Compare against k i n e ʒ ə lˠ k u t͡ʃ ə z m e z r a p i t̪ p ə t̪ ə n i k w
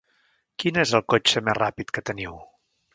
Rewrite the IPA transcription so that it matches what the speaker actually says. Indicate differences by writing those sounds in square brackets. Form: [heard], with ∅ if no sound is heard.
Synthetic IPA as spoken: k i n e [z] ə lˠ k [o] t͡ʃ ə [∅] m e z r a p i t̪ [k] ə t̪ ə n i [∅] w